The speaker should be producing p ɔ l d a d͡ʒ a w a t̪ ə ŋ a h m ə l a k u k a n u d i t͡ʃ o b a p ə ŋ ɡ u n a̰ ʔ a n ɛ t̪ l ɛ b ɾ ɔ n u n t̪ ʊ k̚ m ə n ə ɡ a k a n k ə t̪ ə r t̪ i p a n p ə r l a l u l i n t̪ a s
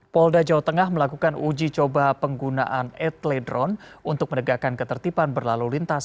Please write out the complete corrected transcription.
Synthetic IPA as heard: p ɔ l d a d͡ʒ a w a t̪ ə ŋ a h m ə l a k u k a n u d͡ʒ i t͡ʃ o b a p ə ŋ ɡ u n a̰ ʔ a n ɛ t̪ l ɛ d ɾ ɔ n u n t̪ ʊ k̚ m ə n ə ɡ a k a n k ə t̪ ə r t̪ i p a n b ə r l a l u l i n t̪ a s